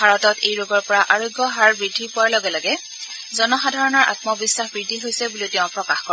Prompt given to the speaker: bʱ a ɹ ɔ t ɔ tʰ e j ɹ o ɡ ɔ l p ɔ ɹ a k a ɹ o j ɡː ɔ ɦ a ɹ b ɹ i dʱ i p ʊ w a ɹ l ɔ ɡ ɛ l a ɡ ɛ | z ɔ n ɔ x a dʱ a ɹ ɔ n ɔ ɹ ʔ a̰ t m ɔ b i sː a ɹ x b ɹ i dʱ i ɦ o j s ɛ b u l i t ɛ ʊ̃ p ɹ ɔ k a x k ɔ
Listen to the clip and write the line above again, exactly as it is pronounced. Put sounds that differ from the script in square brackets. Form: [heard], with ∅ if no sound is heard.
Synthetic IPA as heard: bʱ a ɹ ɔ t ɔ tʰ e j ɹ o ɡ ɔ [ɹ] p ɔ ɹ a [ʔ] a ɹ o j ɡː ɔ ɦ a ɹ b ɹ i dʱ i p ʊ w a ɹ l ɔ ɡ ɛ l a ɡ ɛ | z ɔ n ɔ x a dʱ a ɹ ɔ n ɔ ɹ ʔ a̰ t m ɔ b i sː a [∅] x b ɹ i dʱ i ɦ o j s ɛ b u l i t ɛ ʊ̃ p ɹ ɔ k a x k ɔ